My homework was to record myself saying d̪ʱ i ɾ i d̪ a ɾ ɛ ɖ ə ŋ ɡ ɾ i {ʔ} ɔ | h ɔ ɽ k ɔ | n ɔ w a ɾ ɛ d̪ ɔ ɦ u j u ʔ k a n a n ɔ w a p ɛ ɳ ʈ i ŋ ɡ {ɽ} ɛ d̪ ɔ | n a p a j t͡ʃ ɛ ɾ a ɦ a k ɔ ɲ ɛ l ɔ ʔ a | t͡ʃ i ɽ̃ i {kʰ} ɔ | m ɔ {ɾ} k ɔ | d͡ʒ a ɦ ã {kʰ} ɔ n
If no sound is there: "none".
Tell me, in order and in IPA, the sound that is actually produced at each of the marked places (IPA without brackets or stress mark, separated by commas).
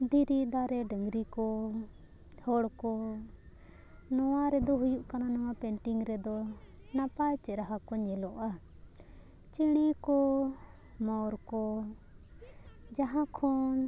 k, ɾ, k, ɾ, kʰ